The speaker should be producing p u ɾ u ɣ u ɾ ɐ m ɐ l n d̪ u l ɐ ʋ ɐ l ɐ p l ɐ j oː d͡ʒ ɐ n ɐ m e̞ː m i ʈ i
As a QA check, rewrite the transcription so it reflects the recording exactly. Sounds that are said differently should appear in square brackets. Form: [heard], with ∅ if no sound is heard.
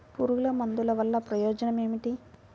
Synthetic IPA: p u ɾ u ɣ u [l] ɐ m ɐ [∅] n d̪ u l ɐ ʋ ɐ [lː] ɐ p [ɾ] ɐ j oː d͡ʒ ɐ n ɐ m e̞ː m i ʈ i